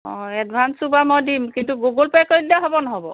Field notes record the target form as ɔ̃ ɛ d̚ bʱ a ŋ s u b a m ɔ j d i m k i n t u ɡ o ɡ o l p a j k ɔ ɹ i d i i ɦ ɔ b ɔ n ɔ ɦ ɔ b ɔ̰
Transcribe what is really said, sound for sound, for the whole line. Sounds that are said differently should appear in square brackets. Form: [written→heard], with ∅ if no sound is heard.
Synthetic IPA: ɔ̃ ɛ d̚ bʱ a [ŋ→n] s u b a m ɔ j d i m k i n t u ɡ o ɡ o l p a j k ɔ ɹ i d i [i→a] ɦ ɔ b ɔ n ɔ ɦ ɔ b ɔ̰

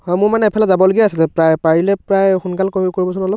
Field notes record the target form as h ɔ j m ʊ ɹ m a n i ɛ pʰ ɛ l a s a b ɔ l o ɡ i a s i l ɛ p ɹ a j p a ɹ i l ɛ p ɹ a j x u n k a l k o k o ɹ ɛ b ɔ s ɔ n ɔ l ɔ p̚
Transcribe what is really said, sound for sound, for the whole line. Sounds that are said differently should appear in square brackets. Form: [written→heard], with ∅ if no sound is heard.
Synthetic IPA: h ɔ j m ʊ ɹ m a n [i→ɛ] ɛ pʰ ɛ l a [s→z] a b ɔ l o ɡ i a s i l ɛ p ɹ a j p a ɹ i l ɛ p ɹ a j x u n k a l k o k o ɹ [ɛ→i] b ɔ s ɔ n ɔ l ɔ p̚

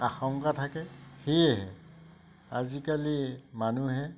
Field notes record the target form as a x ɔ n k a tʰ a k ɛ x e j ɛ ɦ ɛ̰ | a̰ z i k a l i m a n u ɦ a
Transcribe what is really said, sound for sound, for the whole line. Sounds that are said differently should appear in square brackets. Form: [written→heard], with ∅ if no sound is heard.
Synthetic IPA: a x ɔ [n→ŋ] k a tʰ a k ɛ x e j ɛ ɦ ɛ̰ | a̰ z i k a l i m a n u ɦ [a→ɛ]

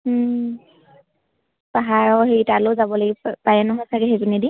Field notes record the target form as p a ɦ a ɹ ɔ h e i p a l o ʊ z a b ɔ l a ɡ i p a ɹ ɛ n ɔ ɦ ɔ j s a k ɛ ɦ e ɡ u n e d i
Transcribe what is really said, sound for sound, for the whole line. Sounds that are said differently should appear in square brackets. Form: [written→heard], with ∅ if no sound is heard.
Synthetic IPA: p a ɦ a ɹ ɔ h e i [p→t] a l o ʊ z a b ɔ l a ɡ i p a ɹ ɛ n ɔ ɦ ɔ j s a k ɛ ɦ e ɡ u n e d i

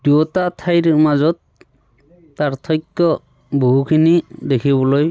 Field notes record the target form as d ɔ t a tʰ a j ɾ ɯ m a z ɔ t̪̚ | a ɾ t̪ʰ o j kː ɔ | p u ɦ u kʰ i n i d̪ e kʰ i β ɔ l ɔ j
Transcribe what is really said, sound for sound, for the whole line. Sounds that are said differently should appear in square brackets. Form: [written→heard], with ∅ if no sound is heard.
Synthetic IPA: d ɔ t a tʰ a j ɾ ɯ m a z ɔ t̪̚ | a ɾ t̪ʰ [o→ɔ] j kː ɔ | [p→b] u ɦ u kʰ i n i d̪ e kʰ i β ɔ l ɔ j

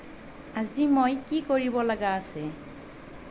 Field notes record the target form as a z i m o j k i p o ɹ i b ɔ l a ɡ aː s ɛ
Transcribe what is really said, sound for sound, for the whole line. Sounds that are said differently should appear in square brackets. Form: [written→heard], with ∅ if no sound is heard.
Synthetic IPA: a z i m o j k i [p→k] o ɹ i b ɔ l a ɡ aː s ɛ

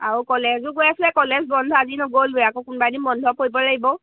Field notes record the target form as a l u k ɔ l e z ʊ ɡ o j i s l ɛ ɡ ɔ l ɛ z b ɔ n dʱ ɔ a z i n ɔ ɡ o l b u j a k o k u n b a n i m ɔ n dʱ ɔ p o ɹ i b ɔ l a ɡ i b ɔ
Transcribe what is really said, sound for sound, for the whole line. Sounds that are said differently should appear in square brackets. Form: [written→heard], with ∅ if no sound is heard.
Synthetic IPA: a [l→ɹ] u k ɔ l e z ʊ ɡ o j [i→a] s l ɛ [ɡ→k] ɔ l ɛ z b ɔ n dʱ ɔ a z i n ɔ ɡ o l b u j a k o k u n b a n i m ɔ n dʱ ɔ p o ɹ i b ɔ l a ɡ i b ɔ

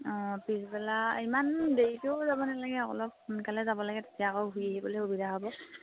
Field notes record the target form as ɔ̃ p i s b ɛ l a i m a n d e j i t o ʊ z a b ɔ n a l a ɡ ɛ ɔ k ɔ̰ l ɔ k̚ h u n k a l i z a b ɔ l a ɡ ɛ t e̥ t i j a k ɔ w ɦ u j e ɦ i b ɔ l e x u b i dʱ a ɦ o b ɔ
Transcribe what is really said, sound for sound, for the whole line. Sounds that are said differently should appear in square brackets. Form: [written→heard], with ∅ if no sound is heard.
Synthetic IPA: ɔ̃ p i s b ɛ l a i m a n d e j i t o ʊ z a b ɔ n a l a ɡ ɛ ɔ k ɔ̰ l ɔ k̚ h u n k a l [i→ɛ] z a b ɔ l a ɡ ɛ t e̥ t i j a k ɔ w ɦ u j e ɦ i b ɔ l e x u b i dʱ a ɦ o b ɔ

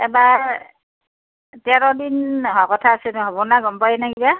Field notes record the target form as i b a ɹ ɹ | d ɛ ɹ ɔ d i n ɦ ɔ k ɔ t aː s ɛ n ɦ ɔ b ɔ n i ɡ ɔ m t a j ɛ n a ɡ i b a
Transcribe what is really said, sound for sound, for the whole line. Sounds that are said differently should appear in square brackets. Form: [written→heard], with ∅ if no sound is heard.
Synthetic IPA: [i→ɛ] b a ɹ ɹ | [d→t] ɛ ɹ ɔ d i n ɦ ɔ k ɔ [t→tʰ] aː s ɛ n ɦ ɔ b ɔ n [i→a] ɡ ɔ m [t→p] a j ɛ n a ɡ i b a

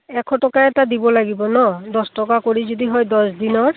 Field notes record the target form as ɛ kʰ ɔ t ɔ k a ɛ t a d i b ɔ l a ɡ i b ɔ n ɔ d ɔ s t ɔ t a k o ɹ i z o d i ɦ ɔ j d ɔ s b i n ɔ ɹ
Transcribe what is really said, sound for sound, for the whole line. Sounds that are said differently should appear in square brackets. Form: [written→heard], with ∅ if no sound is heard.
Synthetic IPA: ɛ kʰ ɔ t ɔ k a ɛ t a d i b ɔ l a ɡ i b ɔ n ɔ d ɔ s t ɔ [t→k] a k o ɹ i z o d i ɦ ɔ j d ɔ s [b→d] i n ɔ ɹ

